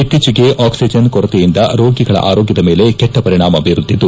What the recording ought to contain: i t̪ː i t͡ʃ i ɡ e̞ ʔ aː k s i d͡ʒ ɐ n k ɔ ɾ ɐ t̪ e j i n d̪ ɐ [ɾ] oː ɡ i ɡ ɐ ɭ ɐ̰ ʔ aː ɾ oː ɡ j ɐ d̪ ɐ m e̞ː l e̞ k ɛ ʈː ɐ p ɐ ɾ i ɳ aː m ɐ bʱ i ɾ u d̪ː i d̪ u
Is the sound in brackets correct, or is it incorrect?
correct